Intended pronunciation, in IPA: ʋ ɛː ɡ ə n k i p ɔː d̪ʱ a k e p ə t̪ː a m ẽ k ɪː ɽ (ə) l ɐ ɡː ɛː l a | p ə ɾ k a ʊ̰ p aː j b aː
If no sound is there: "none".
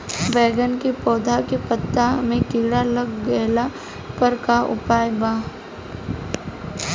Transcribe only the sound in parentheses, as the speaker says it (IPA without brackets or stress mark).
a